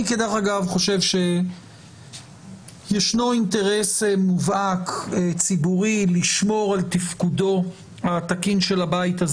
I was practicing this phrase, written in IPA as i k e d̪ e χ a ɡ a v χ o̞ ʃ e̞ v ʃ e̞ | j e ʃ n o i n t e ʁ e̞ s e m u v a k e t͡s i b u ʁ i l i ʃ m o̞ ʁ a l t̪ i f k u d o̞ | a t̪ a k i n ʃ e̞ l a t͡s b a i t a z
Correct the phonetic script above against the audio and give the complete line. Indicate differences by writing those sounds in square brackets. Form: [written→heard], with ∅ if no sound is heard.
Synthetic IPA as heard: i k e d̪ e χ a ɡ a v χ o̞ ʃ e̞ v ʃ e̞ | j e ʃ n o i n t e ʁ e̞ s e m u v a k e t͡s i b u ʁ i l i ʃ m o̞ ʁ a l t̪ i f k u d o̞ | a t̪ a k i n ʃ e̞ l a [t͡s→∅] b a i t a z